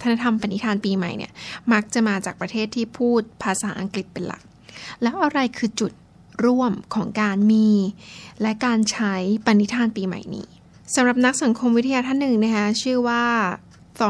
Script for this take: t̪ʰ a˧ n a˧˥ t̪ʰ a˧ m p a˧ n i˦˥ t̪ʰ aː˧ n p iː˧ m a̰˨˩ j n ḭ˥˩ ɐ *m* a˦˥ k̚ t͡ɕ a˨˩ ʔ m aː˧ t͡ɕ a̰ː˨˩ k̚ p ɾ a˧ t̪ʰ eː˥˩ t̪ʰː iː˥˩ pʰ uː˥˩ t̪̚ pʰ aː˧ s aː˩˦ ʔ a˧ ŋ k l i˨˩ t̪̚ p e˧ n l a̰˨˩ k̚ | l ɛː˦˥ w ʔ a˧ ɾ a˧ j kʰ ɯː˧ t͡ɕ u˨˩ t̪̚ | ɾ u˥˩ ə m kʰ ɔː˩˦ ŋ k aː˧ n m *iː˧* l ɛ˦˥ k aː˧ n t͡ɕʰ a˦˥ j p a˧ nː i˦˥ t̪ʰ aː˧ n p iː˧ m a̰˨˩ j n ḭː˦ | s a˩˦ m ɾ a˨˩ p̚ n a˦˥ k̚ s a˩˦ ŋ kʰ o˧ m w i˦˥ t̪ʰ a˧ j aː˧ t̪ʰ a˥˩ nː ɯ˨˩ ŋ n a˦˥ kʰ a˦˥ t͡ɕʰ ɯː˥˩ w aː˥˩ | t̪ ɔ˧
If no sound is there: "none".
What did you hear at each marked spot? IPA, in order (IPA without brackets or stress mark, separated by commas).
m, iː˧